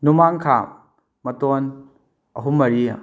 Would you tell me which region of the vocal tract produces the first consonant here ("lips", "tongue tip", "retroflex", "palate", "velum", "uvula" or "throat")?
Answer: tongue tip